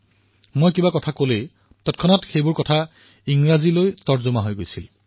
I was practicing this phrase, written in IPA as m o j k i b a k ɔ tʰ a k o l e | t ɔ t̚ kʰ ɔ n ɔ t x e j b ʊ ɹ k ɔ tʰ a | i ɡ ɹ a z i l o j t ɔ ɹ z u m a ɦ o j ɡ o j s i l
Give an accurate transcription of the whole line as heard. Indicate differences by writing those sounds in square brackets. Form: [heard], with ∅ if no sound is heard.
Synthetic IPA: m o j k i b a k ɔ tʰ a k o l e | t ɔ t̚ kʰ ɔ n ɔ t x e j b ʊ ɹ k ɔ tʰ a | i [ŋ] ɹ a z i l o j t ɔ ɹ z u m a ɦ o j ɡ o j s i l